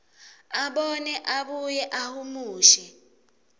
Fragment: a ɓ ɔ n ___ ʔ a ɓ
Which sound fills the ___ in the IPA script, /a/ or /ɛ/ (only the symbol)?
ɛ